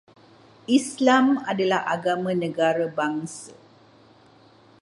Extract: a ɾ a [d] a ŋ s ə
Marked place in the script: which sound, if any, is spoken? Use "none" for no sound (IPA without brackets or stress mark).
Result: b